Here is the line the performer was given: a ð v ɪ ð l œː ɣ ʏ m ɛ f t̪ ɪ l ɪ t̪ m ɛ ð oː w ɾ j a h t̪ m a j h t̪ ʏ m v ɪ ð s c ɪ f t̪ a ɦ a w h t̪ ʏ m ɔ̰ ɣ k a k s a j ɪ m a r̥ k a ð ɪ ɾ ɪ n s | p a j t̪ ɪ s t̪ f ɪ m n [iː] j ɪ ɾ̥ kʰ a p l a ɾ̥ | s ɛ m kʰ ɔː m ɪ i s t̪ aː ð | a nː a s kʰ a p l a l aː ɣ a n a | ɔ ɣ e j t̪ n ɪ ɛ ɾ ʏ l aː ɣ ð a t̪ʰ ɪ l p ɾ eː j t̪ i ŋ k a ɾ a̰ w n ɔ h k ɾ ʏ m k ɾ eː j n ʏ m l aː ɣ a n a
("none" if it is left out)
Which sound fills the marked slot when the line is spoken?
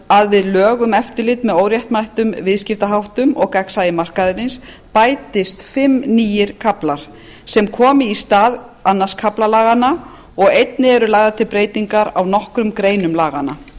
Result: iː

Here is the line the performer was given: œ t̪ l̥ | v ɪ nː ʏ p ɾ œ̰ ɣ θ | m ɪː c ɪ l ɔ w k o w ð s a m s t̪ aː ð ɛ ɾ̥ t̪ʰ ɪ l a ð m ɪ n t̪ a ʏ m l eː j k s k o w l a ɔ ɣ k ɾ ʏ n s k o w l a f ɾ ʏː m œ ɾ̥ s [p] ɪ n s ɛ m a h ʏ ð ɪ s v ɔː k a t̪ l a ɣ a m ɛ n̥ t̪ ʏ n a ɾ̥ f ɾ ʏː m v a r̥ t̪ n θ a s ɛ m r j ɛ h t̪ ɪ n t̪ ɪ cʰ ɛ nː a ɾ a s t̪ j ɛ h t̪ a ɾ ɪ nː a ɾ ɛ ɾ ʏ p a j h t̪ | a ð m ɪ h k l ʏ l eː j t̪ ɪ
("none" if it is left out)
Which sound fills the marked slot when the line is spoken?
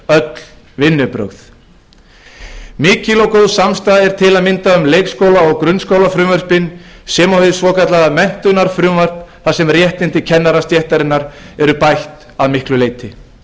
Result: p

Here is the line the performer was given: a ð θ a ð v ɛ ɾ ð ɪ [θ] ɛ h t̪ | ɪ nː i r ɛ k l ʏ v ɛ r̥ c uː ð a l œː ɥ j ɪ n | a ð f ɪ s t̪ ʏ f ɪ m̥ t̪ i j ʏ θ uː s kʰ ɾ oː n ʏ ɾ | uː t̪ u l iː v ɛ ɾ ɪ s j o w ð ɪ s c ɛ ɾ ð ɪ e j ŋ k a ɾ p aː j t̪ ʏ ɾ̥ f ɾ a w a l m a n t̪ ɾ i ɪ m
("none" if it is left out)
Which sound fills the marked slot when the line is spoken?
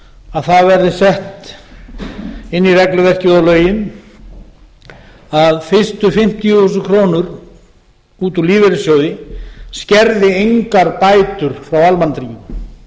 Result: s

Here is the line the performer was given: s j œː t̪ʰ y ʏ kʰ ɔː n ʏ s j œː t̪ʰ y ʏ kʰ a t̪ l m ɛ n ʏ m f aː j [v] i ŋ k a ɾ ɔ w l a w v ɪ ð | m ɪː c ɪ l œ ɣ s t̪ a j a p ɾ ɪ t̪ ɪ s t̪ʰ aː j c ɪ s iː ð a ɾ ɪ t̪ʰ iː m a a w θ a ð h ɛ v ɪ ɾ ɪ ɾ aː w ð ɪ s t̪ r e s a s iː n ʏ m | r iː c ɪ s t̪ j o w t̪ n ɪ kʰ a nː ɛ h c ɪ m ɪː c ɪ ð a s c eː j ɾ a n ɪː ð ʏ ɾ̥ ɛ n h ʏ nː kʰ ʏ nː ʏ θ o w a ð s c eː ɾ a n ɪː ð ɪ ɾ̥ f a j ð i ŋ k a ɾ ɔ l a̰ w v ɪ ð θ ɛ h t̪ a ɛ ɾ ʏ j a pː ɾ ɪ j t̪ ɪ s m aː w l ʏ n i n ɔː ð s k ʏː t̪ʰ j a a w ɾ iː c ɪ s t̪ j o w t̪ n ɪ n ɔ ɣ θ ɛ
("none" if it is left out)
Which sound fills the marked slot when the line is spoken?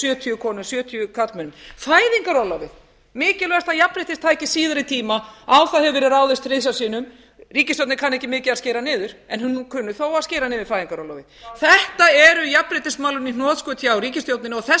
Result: ð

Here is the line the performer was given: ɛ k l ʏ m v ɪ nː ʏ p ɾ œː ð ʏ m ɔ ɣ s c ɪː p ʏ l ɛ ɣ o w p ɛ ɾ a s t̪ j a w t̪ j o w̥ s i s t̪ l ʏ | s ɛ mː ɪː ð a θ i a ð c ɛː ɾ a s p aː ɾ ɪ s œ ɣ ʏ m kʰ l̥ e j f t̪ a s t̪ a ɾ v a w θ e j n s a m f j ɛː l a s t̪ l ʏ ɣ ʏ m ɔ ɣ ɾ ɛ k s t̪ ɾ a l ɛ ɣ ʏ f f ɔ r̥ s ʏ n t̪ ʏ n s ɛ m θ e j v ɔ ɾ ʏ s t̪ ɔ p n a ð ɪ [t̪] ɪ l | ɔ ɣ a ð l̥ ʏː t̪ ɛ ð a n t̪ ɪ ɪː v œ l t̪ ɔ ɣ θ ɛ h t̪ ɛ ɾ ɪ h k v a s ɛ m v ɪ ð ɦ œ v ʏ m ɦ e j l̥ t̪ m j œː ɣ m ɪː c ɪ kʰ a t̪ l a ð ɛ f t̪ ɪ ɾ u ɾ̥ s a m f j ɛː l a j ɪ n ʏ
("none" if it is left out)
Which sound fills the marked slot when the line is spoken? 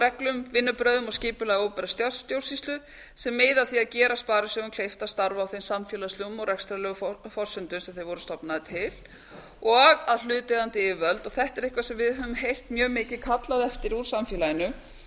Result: t̪ʰ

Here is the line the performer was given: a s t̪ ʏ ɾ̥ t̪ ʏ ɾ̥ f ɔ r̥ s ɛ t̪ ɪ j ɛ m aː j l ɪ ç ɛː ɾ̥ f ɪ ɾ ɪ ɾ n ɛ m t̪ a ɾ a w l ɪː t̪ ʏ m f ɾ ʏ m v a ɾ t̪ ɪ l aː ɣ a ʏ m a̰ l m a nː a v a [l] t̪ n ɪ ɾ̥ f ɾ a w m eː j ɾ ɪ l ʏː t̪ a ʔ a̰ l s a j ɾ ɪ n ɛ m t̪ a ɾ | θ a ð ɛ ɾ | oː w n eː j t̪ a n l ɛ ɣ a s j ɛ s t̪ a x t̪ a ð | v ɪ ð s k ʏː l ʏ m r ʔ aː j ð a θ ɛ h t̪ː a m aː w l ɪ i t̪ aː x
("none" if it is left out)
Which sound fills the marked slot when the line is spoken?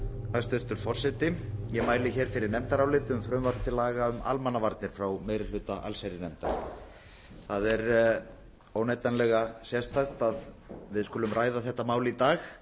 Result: ɾ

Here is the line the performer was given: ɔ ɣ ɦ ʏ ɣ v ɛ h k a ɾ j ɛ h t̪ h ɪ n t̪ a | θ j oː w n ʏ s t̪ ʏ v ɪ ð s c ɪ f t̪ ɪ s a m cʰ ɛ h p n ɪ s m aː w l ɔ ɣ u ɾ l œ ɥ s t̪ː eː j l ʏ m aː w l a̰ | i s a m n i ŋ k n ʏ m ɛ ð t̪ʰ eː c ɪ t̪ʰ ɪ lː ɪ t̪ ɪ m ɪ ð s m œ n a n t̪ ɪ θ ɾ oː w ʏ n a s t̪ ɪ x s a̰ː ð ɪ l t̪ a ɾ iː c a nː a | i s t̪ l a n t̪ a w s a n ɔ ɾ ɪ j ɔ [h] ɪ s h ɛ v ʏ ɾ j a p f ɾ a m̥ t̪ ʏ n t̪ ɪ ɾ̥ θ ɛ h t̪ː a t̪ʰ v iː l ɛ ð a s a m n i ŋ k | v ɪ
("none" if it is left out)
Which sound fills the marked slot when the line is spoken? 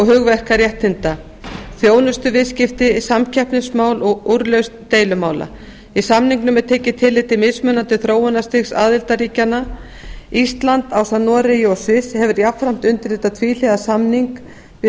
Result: s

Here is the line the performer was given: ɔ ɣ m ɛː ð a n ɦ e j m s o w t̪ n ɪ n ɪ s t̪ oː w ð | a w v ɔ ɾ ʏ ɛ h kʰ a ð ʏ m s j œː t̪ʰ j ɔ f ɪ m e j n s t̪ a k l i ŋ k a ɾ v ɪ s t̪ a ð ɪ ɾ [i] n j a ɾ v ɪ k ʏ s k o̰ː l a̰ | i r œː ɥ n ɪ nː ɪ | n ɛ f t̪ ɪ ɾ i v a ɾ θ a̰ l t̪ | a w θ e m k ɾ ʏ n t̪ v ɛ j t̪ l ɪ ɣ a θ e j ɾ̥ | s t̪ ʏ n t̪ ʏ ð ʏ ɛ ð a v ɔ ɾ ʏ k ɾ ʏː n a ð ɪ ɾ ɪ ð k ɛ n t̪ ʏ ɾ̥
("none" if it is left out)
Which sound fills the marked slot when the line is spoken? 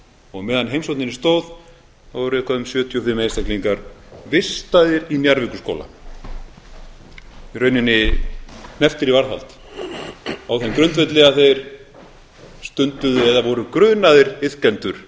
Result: i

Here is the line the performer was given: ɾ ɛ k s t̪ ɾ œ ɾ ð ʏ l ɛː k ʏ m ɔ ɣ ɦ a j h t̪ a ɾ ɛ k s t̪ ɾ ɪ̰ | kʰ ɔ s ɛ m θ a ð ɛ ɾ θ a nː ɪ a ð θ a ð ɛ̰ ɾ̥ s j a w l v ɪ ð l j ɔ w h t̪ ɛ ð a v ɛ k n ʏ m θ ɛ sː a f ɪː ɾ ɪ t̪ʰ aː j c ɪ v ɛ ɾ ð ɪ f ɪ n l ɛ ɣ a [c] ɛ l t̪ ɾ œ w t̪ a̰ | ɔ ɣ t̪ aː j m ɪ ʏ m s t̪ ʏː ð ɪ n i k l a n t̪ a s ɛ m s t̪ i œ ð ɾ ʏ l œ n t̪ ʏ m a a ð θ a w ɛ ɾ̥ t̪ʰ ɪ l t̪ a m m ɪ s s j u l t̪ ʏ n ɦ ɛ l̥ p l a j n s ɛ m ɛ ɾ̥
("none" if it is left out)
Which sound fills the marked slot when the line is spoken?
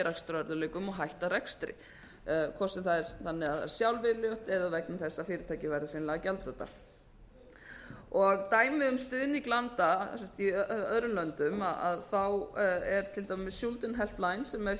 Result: c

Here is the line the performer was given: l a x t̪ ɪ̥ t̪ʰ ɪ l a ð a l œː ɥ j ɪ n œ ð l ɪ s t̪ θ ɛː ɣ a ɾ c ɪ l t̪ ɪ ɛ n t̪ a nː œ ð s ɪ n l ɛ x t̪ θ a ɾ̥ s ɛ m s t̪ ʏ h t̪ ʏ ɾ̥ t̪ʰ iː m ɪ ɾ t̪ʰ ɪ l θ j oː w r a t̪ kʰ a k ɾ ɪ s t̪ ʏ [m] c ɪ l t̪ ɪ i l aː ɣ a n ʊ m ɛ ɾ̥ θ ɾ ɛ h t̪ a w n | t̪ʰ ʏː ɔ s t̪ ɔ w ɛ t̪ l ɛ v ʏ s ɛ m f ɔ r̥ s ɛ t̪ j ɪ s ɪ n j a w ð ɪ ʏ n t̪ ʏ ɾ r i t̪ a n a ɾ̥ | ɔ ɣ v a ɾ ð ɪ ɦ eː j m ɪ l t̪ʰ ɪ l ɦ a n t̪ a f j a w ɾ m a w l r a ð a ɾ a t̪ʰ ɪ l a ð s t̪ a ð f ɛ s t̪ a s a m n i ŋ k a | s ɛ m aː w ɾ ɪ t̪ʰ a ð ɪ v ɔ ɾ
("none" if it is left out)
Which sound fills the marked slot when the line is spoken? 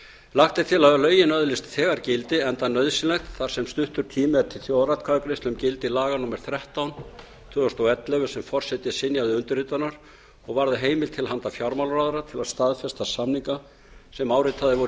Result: m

